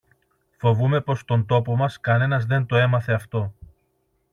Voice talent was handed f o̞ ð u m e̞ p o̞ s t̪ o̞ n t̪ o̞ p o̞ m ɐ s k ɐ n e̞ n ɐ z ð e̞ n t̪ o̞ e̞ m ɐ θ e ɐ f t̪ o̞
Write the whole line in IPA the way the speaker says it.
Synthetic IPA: f o̞ v u m e̞ p o̞ s t̪ o̞ n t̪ o̞ p o̞ m ɐ s k ɐ n e̞ n ɐ z ð e̞ n t̪ o̞ e̞ m ɐ θ e ɐ f t̪ o̞